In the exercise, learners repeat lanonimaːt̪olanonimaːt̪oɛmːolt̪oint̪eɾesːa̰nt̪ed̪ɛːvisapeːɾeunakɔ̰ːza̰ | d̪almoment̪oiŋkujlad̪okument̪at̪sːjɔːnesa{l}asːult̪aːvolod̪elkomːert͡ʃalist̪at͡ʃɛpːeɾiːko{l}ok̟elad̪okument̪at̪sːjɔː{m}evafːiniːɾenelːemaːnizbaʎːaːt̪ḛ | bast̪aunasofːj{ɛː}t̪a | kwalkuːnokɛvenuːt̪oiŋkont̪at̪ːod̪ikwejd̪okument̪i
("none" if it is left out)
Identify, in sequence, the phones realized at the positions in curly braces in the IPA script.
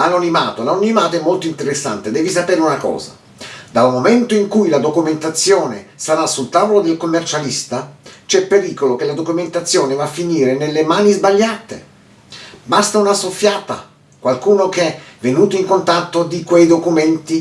ɾ, l, n, aː

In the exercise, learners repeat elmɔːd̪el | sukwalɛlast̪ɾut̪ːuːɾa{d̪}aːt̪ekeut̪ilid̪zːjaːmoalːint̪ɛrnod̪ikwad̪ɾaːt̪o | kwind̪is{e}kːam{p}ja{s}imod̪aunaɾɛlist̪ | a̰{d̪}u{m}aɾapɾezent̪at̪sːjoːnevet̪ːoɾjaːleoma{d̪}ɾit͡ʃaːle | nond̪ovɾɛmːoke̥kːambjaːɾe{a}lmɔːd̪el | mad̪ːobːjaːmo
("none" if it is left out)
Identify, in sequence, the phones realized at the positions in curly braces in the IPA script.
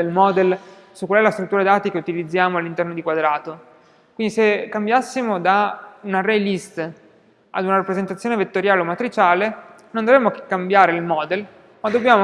d̪, e, b, sː, d̪, n, t̪, i

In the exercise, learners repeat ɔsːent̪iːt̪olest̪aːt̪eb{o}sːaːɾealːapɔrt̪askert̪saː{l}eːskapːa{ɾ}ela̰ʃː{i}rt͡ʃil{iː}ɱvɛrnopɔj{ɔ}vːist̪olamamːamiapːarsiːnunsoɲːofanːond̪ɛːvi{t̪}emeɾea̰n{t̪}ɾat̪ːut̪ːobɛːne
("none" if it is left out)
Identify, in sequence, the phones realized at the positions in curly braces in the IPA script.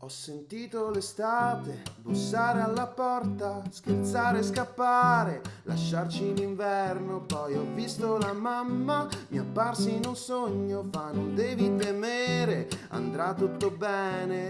u, ɾ, ɾ, a, i, ɔ, t̪, d̪

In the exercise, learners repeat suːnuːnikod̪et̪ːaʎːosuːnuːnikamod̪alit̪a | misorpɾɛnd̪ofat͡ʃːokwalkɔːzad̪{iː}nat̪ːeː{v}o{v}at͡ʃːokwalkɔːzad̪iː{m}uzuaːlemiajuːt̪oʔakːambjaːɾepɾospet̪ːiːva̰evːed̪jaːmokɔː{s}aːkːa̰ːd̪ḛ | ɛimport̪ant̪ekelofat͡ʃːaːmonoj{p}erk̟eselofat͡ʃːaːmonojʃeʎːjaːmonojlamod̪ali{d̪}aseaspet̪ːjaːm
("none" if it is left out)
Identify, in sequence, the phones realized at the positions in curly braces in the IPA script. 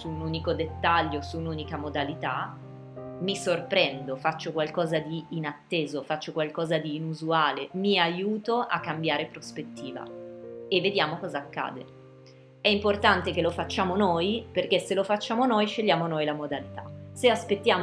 iː, z, f, n, z, p, t̪

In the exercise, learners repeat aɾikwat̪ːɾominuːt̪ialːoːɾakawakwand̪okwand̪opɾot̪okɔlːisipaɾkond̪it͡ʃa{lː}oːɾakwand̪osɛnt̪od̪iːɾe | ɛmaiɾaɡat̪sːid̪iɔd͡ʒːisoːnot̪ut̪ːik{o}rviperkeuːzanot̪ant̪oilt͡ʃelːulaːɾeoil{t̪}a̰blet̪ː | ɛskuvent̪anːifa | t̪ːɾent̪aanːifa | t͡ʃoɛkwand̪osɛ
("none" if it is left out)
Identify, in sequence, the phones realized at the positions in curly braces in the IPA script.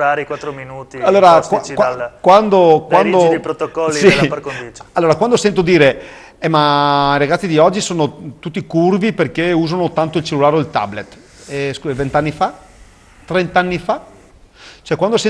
lː, u, t̪

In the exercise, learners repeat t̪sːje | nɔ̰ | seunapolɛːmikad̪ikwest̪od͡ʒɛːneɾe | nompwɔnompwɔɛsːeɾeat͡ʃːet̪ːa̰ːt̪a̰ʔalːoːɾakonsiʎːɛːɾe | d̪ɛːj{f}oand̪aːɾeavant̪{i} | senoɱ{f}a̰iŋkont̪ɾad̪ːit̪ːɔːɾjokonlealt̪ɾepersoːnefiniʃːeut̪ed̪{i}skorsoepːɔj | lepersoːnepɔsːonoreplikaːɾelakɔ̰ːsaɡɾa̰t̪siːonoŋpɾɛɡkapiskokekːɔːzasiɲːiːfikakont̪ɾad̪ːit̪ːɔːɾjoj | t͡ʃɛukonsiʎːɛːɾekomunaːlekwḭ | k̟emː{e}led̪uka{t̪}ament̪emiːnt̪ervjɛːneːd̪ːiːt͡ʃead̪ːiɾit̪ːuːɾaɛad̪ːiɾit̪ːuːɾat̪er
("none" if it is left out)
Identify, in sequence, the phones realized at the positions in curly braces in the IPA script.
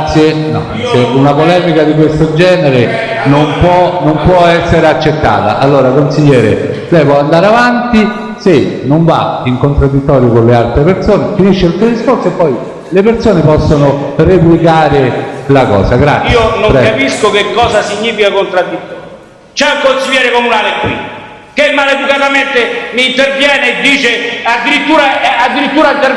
v, i, v, i, a, t̪

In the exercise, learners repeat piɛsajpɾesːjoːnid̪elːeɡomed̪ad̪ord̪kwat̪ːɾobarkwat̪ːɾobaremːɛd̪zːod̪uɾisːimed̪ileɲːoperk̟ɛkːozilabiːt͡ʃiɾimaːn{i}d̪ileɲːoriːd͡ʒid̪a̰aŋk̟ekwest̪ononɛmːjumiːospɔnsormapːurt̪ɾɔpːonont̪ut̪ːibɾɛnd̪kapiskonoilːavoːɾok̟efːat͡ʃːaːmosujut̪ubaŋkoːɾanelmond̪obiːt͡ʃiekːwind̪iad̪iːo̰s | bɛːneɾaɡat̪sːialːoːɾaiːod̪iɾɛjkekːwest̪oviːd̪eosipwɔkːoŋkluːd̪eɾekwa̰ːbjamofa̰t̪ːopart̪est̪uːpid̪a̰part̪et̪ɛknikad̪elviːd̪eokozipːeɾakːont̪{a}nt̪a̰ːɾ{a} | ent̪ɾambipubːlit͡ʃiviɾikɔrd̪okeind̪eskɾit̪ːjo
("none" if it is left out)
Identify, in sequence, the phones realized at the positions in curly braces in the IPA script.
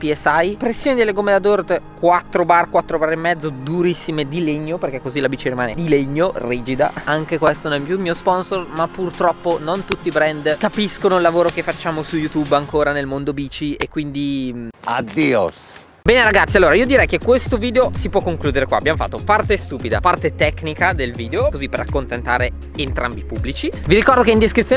e, e, e

